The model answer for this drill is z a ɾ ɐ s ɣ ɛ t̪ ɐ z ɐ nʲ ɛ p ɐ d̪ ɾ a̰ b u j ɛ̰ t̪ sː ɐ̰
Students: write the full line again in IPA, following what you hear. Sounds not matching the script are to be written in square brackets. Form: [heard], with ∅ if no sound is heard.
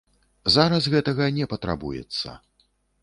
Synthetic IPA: z a ɾ ɐ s ɣ ɛ t̪ ɐ [ɣ] ɐ nʲ ɛ p ɐ [t̪] ɾ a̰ b u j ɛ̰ t̪ sː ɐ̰